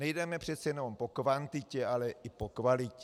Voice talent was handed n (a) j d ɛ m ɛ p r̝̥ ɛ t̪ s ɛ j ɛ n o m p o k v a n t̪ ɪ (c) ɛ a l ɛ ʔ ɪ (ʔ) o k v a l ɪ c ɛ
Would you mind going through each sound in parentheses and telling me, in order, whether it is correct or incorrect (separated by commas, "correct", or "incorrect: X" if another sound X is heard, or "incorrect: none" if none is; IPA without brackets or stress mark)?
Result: incorrect: ɛ, correct, incorrect: p